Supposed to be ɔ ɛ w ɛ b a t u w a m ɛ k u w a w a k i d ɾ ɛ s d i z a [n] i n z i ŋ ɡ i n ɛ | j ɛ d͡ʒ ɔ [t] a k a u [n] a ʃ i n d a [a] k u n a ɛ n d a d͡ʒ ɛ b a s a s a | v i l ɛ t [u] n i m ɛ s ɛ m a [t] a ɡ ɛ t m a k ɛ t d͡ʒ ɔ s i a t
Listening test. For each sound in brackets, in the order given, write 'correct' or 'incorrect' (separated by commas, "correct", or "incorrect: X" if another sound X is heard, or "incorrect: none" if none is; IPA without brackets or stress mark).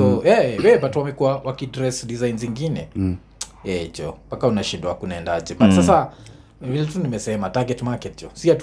incorrect: none, incorrect: p, correct, correct, correct, correct